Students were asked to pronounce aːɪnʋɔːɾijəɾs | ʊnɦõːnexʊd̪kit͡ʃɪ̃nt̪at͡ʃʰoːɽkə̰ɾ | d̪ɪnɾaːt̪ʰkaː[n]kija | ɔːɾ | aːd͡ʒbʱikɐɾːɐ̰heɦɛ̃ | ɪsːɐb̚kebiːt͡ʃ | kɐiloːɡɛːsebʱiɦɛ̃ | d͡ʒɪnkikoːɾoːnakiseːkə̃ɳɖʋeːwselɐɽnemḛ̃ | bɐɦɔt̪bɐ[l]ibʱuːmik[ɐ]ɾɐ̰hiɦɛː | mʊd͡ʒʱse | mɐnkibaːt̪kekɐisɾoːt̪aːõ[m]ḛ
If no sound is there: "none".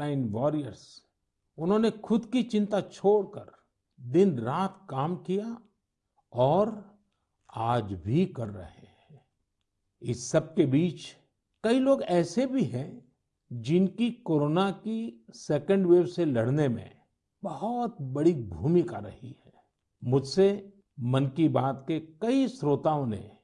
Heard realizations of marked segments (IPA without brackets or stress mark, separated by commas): m, ɽ, a, n